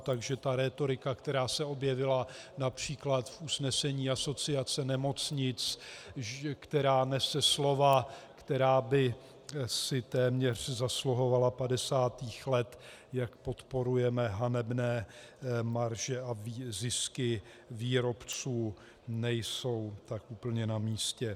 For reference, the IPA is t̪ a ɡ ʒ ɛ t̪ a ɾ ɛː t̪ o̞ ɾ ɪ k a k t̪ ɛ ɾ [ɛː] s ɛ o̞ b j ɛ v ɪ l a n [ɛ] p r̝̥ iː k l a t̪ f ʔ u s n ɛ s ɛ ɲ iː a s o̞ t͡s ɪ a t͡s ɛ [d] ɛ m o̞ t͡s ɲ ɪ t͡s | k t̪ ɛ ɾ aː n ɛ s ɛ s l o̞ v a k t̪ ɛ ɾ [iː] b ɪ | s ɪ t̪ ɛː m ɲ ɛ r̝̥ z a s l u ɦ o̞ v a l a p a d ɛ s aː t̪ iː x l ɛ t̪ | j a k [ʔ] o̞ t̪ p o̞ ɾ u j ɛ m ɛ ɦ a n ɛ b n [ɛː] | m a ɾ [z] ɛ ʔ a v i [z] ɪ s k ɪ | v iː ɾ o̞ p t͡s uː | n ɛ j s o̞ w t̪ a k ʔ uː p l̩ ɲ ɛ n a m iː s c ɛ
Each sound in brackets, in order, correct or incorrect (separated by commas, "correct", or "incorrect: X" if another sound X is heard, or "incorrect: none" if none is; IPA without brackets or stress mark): incorrect: aː, incorrect: a, incorrect: n, incorrect: aː, incorrect: p, correct, incorrect: ʒ, correct